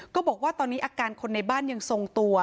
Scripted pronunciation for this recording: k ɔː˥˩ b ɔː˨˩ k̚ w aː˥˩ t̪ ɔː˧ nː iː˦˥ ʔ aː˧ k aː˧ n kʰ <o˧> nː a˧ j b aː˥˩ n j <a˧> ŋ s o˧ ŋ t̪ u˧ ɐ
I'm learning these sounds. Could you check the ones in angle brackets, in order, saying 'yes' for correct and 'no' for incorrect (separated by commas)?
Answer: yes, yes